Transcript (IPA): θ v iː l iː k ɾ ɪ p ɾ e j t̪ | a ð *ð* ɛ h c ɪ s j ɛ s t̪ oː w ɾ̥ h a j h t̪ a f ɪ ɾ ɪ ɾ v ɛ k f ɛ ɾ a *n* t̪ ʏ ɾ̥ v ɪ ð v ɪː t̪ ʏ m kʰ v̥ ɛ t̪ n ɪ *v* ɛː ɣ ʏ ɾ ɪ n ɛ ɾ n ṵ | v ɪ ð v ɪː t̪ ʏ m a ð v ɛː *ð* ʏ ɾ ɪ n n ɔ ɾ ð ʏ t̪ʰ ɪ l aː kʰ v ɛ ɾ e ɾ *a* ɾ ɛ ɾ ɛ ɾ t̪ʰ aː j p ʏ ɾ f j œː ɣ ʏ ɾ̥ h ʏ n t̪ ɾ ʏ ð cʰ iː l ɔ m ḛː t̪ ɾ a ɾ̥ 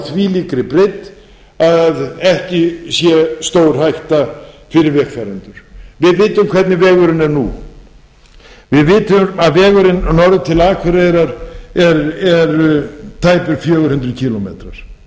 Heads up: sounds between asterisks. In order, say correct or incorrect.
correct, correct, correct, incorrect: ɣ, correct

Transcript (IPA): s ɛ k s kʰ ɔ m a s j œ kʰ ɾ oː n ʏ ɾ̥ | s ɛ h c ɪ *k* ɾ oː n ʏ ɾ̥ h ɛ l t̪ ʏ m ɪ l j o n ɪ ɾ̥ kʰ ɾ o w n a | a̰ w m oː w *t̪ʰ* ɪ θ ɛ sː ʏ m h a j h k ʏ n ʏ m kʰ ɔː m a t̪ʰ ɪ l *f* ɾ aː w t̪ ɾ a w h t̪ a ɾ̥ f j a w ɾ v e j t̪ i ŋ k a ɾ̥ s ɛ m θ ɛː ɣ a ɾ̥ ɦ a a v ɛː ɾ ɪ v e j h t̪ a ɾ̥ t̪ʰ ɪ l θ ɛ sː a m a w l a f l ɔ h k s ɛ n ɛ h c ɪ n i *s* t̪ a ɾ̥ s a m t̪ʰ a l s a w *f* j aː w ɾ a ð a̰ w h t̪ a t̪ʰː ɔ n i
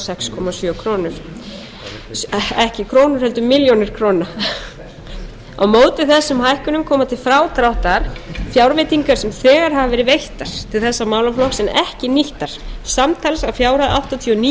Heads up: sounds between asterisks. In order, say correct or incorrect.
incorrect: kʰ, incorrect: t̪, correct, incorrect: h, correct

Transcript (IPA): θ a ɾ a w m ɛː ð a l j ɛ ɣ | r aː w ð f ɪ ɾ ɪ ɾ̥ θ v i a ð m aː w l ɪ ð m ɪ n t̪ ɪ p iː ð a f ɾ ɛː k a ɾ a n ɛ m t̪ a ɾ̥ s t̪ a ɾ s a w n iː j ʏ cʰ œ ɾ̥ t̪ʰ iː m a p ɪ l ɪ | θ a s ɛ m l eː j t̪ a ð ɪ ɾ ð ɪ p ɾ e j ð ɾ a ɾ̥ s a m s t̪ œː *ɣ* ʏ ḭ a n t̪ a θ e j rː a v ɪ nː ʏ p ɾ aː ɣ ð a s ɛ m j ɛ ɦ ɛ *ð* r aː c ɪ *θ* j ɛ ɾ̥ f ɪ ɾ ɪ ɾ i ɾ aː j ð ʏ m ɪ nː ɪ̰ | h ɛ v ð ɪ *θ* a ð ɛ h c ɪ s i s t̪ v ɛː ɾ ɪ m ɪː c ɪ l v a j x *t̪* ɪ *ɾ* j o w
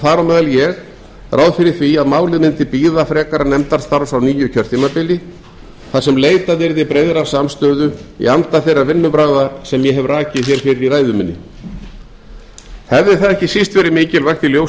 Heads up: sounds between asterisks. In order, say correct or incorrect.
incorrect: ð, incorrect: v, correct, correct, correct, incorrect: l

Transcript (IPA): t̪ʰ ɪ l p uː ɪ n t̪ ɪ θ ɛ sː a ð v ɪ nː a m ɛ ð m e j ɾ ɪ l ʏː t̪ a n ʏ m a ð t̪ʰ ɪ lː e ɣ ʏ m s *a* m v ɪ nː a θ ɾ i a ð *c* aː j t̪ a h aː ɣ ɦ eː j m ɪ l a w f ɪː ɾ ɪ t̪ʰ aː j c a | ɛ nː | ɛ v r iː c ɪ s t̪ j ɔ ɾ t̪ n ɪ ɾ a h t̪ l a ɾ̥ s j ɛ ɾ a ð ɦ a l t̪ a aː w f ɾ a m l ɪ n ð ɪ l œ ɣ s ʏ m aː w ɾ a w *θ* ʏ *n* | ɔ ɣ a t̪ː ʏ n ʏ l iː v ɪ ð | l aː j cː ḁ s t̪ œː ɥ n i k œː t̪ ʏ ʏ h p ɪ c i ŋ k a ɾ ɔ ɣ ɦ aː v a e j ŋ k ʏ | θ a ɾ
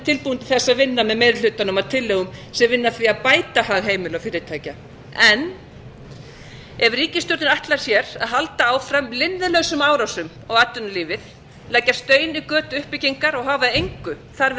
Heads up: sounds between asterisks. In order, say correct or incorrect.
incorrect: ɛ, incorrect: p, incorrect: s, incorrect: m

